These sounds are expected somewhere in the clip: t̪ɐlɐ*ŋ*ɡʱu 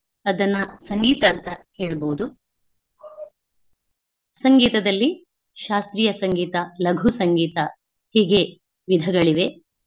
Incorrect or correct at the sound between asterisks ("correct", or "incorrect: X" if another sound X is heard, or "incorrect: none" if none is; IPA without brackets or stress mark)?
incorrect: none